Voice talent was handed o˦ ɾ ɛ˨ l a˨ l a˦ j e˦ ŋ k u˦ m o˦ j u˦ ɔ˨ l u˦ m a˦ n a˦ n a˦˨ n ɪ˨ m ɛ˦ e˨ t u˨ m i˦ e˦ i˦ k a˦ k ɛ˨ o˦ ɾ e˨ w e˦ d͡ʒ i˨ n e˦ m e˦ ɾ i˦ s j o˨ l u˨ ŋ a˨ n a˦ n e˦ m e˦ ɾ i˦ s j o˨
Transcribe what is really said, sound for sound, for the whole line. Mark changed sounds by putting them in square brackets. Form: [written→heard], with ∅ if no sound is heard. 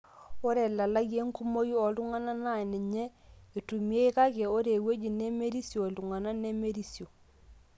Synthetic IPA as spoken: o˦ ɾ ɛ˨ l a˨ l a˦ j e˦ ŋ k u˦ m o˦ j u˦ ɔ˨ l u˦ [m→ŋ] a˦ n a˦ n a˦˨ n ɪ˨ [m→ɲ] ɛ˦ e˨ t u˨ m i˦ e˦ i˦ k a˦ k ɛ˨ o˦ ɾ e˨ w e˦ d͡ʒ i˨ n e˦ m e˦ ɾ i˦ s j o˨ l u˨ ŋ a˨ n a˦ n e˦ m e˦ ɾ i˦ s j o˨